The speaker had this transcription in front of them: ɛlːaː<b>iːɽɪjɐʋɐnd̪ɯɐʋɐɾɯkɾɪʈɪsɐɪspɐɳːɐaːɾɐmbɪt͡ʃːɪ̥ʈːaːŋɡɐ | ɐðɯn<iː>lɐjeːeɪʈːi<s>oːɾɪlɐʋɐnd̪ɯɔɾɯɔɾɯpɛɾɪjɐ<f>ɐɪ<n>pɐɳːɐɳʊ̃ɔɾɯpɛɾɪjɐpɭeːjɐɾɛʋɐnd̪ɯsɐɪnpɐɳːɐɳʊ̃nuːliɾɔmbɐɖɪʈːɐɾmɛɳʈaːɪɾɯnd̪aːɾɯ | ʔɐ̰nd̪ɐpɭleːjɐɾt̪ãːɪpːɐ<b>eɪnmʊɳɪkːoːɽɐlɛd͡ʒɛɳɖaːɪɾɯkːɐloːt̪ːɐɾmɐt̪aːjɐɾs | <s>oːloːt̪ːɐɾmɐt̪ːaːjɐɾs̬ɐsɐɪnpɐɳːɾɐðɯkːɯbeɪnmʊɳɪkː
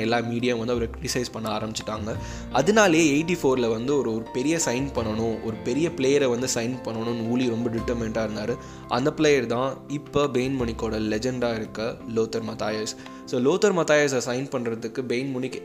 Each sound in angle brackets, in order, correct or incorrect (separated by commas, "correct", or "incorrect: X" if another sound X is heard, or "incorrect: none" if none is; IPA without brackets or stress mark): incorrect: m, incorrect: aː, incorrect: f, incorrect: s, correct, correct, correct